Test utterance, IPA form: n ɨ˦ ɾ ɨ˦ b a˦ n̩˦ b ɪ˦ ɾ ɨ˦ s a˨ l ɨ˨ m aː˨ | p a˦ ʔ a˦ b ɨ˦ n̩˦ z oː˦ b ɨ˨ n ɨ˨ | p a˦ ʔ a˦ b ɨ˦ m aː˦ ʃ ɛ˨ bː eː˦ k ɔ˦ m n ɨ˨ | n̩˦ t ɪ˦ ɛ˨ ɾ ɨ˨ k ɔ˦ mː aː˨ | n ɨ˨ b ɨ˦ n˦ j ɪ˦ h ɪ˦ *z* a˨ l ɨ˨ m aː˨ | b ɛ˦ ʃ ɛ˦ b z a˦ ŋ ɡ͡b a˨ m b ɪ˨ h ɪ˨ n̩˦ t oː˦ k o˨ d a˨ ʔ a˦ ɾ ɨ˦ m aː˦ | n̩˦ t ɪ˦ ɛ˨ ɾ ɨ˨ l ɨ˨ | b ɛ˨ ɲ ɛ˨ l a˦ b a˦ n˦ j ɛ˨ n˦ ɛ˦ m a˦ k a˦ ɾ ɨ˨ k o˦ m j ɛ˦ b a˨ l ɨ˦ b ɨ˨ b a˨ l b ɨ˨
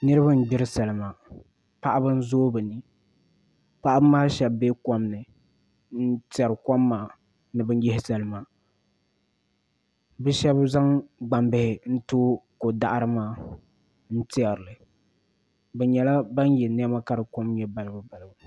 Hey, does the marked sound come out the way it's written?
no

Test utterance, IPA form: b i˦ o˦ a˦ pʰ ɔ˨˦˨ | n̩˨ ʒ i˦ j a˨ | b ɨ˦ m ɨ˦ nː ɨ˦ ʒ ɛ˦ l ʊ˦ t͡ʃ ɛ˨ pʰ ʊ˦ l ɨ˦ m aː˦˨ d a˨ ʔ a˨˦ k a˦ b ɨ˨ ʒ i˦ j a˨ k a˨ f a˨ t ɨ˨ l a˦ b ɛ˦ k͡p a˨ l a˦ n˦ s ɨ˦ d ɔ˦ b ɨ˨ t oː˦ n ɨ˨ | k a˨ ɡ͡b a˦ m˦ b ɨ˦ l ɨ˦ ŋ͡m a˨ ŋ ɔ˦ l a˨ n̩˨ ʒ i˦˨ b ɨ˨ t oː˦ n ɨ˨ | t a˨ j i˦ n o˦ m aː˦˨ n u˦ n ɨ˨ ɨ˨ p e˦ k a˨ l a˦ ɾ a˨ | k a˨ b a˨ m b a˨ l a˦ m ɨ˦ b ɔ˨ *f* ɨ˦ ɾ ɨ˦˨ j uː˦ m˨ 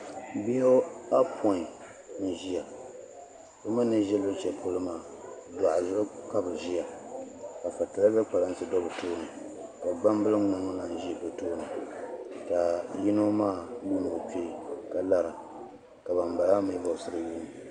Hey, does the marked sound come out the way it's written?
no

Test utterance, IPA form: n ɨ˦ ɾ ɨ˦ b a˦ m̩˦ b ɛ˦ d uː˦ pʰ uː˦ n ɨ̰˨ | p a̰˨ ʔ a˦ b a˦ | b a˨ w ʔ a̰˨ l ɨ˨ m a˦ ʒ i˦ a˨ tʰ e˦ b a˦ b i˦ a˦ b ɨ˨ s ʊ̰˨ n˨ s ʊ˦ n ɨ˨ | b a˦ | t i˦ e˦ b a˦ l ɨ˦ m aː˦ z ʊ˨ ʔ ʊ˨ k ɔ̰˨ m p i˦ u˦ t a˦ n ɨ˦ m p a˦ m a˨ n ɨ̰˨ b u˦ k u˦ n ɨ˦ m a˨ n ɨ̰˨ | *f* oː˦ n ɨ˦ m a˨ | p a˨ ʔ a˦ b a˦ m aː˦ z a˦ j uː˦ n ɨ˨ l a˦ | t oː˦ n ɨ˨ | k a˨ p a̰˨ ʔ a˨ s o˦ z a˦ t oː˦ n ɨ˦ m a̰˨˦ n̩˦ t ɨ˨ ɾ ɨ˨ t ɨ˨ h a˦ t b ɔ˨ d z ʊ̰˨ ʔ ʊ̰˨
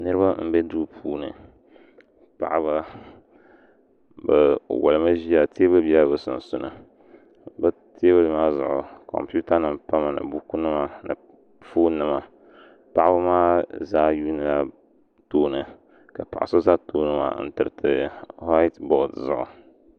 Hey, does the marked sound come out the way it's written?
yes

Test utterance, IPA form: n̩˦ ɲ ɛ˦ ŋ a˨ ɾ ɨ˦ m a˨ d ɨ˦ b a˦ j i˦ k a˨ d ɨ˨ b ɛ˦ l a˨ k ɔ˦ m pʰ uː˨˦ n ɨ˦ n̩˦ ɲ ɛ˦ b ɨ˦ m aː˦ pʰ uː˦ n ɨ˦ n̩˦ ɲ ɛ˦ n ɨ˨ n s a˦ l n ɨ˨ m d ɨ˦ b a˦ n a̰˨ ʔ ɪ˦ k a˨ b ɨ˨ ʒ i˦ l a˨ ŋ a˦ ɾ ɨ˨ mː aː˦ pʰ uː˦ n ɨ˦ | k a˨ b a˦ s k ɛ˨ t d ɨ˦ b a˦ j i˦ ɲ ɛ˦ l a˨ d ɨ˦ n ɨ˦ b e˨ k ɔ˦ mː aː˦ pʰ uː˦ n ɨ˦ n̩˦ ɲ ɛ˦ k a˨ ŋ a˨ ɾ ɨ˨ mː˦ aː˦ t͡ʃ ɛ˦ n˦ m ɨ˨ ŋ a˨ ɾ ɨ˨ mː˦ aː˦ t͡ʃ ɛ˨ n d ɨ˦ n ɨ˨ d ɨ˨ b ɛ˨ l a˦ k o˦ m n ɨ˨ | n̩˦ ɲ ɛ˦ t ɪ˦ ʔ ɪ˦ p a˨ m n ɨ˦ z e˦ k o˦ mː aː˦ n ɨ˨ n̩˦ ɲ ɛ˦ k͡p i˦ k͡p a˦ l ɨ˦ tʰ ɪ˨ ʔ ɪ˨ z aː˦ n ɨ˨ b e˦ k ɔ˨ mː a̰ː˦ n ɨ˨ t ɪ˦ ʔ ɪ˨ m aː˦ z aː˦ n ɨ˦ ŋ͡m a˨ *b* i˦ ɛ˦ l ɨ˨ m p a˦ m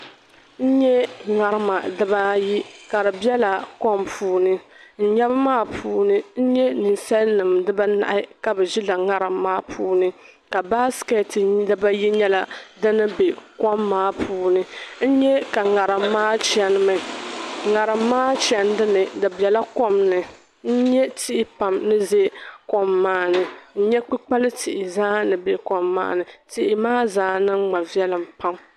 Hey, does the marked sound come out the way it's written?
no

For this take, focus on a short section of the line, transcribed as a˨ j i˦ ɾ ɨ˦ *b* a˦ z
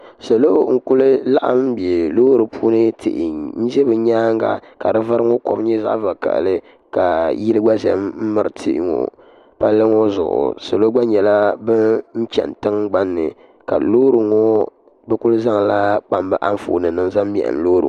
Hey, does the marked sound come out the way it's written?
no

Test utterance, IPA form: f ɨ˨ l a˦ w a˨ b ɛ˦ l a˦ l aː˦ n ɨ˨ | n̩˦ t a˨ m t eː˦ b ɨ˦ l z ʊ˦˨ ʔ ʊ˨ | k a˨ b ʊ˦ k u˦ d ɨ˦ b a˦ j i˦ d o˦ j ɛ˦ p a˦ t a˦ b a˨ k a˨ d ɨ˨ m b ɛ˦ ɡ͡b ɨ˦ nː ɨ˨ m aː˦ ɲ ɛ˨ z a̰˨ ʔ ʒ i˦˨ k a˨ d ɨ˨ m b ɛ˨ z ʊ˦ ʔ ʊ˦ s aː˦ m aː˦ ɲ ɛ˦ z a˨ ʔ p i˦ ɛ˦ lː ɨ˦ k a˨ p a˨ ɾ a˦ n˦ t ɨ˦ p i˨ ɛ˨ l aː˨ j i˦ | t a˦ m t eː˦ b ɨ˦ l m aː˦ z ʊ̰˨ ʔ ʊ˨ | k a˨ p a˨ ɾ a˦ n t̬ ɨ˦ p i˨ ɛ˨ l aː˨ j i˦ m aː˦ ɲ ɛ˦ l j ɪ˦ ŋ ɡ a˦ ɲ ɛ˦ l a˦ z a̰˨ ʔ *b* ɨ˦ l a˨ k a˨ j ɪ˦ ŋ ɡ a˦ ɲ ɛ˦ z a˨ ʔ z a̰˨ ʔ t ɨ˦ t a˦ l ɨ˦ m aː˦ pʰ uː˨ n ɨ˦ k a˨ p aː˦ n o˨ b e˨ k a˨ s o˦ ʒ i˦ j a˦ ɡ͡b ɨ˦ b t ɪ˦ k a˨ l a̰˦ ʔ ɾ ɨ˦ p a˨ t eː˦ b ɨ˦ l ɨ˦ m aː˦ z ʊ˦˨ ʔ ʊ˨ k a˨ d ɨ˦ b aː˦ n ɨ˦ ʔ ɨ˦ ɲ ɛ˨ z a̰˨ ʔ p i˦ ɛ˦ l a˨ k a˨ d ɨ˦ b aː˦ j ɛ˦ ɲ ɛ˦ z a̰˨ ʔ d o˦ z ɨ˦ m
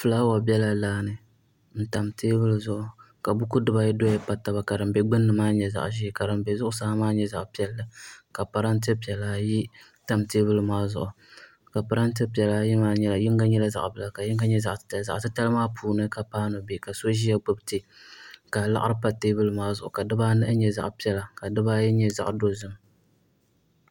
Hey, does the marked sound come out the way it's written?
yes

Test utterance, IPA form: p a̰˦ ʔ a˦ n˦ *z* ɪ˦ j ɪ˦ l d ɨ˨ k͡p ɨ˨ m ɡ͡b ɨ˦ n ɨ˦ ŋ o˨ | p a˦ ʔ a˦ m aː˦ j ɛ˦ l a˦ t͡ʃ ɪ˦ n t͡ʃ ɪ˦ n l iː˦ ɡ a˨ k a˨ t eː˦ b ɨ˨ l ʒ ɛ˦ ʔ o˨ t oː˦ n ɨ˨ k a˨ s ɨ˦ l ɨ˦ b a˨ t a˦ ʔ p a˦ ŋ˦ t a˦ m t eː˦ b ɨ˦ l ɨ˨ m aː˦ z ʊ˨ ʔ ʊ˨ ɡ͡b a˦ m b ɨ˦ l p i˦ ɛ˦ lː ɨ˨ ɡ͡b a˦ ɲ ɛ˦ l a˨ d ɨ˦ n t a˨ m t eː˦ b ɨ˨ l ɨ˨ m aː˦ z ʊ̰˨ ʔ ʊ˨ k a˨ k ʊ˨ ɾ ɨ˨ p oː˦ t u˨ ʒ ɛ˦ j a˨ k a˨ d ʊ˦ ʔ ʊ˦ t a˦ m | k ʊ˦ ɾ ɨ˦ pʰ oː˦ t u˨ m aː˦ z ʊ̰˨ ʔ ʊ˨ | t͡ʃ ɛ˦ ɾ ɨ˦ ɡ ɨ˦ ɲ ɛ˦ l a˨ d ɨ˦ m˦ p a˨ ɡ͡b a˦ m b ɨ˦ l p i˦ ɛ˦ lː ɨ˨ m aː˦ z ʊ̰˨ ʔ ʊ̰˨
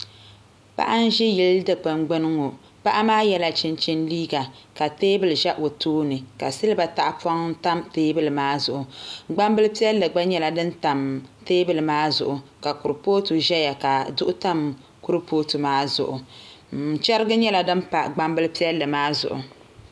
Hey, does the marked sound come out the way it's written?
no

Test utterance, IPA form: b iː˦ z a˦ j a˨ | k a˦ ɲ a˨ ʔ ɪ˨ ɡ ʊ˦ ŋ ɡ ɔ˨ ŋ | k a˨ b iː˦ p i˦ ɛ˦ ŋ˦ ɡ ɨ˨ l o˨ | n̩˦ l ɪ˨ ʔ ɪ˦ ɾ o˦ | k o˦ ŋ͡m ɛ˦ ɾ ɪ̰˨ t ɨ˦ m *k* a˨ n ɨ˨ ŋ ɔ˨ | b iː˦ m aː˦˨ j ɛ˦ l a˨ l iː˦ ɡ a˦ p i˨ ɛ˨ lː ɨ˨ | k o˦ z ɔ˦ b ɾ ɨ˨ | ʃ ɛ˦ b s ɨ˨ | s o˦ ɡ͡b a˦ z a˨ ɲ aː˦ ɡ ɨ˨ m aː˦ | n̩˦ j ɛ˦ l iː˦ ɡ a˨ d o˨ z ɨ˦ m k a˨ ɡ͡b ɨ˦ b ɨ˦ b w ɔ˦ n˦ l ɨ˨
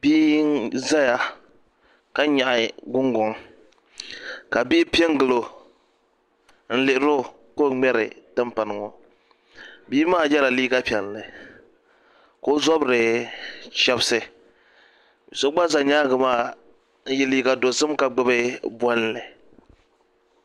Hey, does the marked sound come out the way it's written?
no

